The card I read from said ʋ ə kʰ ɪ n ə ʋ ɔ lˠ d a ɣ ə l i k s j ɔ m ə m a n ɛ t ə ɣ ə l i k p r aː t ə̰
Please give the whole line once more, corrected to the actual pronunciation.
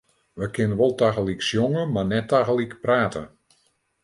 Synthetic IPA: ʋ ə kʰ ɪ n ə ʋ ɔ lˠ t a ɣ ə l i k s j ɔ ŋ ə m a n ɛ t a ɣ ə l i k p r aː t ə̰